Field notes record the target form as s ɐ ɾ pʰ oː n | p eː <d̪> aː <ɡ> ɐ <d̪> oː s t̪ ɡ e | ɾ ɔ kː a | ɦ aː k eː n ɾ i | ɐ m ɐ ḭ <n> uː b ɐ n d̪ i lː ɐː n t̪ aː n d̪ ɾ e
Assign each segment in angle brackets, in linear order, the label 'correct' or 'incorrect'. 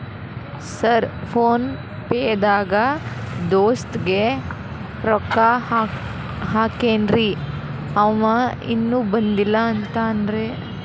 correct, correct, correct, incorrect

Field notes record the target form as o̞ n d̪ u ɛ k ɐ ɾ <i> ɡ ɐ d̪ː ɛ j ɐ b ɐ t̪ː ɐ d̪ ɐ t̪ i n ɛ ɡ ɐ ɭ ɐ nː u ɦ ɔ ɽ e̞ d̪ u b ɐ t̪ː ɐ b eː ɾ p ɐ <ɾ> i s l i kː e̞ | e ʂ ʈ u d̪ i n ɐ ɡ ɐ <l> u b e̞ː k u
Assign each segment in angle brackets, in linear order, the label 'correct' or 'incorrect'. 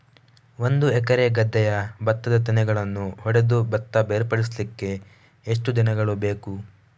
incorrect, incorrect, incorrect

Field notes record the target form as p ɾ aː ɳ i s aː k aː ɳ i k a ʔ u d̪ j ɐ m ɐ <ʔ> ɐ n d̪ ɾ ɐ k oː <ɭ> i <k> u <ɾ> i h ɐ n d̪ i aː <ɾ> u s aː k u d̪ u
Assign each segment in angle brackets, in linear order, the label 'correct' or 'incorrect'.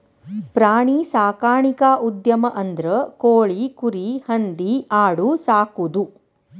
correct, correct, correct, correct, incorrect

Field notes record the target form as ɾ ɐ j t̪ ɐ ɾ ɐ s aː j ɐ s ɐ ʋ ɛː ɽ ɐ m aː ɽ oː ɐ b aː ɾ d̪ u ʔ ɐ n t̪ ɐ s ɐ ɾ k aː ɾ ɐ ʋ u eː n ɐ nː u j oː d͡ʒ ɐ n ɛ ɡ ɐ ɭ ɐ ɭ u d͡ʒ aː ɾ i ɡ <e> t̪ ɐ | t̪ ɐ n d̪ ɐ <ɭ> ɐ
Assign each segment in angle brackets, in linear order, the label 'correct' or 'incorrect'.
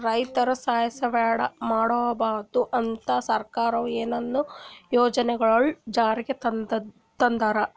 correct, incorrect

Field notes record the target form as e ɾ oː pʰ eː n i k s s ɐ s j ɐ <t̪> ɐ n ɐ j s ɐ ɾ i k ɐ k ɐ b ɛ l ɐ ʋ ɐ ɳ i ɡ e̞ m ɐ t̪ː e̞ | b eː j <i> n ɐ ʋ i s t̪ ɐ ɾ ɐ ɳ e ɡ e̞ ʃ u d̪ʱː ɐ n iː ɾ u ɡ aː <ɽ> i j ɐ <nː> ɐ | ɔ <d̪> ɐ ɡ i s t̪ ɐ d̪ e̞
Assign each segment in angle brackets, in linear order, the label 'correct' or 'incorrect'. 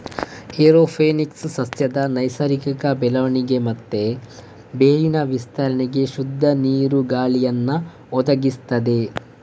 incorrect, correct, incorrect, correct, correct

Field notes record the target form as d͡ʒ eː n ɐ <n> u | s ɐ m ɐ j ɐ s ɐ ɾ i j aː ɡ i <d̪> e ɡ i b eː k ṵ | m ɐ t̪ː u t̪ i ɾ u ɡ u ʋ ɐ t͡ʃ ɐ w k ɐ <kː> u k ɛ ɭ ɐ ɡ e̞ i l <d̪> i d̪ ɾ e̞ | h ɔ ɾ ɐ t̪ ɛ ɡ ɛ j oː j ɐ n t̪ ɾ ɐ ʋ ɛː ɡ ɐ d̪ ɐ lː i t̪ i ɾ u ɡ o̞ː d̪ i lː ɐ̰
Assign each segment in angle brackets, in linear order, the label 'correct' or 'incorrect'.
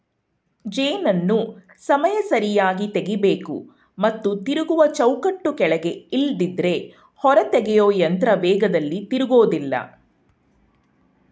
incorrect, incorrect, incorrect, correct

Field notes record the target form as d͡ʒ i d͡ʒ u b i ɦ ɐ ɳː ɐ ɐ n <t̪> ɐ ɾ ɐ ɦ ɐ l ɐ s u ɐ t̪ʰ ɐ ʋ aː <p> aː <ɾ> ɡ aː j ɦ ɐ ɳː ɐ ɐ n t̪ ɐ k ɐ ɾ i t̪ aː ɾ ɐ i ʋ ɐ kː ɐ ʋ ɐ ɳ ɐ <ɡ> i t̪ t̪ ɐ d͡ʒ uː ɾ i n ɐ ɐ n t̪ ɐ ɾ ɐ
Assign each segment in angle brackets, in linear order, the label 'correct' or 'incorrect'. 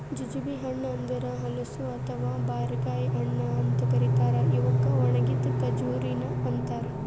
incorrect, incorrect, correct, correct

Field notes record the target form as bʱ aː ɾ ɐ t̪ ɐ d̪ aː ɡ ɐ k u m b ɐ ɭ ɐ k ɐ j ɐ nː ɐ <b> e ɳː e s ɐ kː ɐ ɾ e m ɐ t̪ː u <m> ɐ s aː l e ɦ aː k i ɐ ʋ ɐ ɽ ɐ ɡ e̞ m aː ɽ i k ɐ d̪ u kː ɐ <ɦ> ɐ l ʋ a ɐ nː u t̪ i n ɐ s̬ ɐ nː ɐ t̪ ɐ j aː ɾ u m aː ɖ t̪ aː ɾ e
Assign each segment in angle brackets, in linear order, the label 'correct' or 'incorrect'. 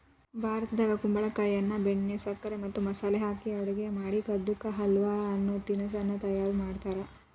correct, correct, correct

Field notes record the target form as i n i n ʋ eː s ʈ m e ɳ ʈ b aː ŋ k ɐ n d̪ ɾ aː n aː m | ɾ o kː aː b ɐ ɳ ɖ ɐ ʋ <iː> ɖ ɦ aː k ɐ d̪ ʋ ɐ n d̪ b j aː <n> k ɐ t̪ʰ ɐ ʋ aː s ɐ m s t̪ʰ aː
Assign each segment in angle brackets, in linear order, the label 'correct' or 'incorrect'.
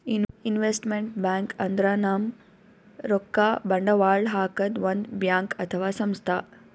incorrect, incorrect

